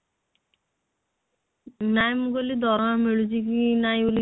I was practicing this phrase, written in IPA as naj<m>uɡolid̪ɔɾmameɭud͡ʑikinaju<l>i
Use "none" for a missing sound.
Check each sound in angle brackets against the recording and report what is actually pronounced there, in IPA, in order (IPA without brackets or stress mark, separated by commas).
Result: m, l